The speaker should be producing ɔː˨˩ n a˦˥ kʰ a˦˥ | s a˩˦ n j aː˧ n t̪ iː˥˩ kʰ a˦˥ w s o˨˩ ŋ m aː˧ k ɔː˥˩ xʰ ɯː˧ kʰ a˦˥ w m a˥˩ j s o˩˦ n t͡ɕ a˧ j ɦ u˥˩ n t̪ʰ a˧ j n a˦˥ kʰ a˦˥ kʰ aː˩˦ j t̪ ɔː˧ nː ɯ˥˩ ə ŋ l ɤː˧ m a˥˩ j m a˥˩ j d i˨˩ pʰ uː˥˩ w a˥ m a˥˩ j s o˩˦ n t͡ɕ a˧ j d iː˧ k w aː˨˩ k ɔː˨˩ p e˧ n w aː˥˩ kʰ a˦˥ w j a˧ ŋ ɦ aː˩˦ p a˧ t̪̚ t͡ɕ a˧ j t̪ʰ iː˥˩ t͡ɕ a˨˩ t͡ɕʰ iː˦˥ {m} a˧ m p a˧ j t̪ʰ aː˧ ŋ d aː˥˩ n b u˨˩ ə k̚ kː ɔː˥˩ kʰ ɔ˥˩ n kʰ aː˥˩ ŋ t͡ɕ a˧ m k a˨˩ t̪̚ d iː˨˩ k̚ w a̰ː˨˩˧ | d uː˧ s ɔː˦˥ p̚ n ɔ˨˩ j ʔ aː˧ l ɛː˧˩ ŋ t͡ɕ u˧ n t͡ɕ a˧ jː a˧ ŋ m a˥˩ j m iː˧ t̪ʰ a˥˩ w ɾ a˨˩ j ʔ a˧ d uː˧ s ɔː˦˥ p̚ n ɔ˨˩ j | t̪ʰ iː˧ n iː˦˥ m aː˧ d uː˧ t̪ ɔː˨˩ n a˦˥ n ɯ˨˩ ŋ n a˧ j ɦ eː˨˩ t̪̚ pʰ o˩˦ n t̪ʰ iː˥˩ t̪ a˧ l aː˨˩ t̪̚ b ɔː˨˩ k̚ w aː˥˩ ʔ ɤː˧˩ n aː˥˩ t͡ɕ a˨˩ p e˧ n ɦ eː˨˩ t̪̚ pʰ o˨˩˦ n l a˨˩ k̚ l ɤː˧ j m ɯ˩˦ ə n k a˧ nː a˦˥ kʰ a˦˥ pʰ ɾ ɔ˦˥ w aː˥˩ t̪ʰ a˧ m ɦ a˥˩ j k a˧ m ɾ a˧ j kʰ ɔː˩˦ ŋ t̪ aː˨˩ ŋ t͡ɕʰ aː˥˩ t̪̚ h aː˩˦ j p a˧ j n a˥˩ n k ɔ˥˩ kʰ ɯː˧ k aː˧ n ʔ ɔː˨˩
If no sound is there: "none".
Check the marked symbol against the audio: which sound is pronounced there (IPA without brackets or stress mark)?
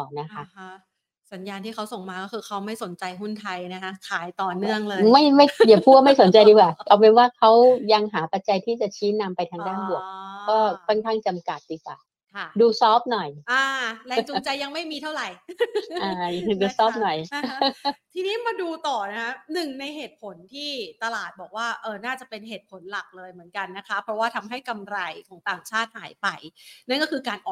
n